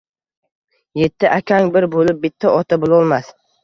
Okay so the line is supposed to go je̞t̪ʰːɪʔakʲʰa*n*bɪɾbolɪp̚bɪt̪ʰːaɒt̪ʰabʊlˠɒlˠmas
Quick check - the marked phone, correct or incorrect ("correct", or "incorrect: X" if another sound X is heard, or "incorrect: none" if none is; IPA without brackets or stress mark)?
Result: incorrect: ŋ